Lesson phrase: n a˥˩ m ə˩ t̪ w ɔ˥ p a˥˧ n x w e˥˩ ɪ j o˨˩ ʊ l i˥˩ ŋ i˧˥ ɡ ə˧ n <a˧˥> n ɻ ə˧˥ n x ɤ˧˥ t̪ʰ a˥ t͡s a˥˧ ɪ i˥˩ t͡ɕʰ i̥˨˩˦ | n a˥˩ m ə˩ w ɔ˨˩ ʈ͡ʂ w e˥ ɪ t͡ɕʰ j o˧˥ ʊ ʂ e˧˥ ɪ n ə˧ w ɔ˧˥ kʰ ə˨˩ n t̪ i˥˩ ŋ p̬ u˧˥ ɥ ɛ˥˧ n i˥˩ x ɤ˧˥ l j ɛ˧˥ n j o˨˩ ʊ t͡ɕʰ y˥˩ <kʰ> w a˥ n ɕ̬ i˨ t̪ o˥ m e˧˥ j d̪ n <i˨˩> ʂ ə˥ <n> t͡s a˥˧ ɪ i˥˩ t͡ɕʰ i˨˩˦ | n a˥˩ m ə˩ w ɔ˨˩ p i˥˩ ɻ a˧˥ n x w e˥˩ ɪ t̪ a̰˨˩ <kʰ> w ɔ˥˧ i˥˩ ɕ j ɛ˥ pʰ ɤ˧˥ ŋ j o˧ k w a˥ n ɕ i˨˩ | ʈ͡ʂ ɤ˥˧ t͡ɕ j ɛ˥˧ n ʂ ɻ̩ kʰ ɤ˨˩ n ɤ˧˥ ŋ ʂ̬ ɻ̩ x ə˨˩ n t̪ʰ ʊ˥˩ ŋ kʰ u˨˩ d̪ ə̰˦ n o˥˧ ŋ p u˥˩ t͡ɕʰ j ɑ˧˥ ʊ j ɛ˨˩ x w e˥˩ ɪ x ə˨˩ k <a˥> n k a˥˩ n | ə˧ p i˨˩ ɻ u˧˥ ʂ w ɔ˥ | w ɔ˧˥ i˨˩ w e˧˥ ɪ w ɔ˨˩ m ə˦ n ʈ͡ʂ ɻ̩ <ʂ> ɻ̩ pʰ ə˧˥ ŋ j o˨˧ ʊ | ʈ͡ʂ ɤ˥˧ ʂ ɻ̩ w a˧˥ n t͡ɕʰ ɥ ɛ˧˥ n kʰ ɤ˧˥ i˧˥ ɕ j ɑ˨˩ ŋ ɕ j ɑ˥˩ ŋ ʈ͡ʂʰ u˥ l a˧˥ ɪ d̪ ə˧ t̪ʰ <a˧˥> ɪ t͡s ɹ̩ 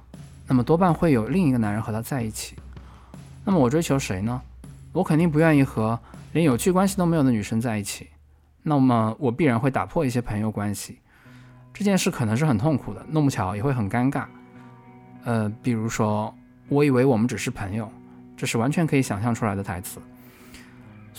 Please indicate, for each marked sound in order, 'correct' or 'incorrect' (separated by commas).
correct, incorrect, incorrect, incorrect, incorrect, correct, correct, correct